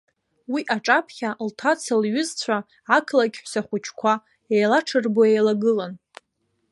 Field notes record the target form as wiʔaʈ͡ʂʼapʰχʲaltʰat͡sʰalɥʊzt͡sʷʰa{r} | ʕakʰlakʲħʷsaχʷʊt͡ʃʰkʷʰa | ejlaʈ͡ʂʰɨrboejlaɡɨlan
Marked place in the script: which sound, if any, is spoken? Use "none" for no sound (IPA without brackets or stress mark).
none